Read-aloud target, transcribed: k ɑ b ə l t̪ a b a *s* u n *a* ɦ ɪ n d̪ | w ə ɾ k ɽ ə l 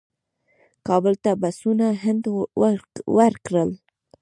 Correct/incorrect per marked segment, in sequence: correct, correct

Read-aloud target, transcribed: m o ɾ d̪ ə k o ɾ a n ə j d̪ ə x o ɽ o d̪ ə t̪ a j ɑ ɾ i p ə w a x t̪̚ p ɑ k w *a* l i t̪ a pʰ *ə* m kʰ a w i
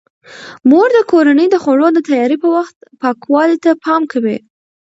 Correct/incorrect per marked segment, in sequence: incorrect, incorrect

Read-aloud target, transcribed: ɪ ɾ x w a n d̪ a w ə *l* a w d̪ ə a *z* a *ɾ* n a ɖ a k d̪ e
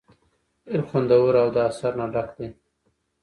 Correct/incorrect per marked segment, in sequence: incorrect, incorrect, correct

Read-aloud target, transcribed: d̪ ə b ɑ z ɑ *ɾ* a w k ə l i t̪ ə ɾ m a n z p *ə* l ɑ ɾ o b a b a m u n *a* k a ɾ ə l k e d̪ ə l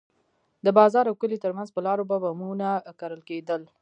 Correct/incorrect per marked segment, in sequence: correct, correct, correct

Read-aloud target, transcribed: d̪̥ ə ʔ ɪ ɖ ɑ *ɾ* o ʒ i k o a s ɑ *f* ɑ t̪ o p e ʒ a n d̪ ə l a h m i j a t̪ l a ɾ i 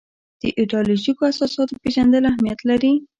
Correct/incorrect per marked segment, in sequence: incorrect, incorrect

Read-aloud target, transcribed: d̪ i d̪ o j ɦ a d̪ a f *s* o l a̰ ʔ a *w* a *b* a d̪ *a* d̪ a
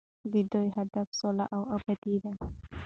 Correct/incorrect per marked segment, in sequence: correct, correct, correct, incorrect

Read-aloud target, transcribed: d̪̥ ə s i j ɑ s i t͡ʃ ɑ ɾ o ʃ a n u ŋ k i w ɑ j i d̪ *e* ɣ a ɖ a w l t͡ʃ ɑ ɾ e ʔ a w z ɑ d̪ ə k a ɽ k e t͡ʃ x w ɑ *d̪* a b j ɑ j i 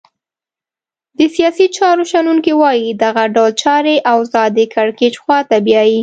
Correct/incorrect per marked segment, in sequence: incorrect, incorrect

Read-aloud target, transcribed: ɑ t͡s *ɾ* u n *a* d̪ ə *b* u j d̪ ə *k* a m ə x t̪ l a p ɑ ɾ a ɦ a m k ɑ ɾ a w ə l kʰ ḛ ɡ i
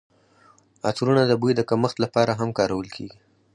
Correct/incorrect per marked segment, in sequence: correct, correct, correct, correct

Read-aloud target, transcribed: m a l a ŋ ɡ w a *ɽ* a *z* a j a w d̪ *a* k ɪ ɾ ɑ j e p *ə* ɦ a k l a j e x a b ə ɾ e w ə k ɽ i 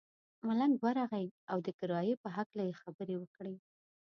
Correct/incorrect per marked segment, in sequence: incorrect, incorrect, incorrect, correct

